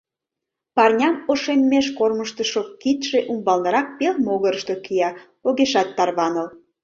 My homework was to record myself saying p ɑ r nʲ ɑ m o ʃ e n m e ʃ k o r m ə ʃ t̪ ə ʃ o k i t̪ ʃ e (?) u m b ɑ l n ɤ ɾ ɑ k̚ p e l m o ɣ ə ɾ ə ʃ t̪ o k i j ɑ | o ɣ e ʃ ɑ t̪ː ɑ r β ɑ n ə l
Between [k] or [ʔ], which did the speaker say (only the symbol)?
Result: ʔ